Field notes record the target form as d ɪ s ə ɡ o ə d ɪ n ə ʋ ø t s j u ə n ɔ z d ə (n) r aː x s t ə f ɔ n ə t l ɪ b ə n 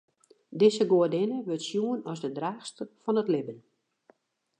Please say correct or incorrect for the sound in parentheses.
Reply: incorrect